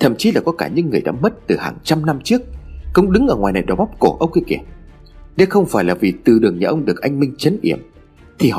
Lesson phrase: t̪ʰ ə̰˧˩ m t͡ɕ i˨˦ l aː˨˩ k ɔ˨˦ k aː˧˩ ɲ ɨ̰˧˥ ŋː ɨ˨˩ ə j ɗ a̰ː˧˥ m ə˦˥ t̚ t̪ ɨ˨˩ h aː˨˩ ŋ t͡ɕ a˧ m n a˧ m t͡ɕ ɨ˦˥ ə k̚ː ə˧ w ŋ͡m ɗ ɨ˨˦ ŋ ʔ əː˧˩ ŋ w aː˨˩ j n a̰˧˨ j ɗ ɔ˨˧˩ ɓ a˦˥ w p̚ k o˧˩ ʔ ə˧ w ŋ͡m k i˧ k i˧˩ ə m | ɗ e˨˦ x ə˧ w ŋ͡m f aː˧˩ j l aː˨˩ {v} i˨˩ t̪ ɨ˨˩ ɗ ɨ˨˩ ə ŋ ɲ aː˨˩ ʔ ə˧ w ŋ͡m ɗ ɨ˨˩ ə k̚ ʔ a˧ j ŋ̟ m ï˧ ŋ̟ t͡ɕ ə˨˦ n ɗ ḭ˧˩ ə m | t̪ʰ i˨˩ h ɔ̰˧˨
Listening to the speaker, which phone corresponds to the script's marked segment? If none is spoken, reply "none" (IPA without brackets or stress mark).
v